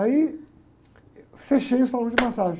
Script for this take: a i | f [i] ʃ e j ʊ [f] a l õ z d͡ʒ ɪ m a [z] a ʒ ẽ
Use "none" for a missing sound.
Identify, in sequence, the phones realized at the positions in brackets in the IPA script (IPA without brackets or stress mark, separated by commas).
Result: e, s, s